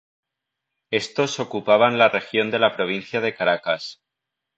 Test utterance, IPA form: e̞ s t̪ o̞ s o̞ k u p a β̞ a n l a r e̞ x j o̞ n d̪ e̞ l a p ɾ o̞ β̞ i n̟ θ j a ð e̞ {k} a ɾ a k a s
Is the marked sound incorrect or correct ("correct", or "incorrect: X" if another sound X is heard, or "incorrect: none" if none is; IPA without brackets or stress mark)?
correct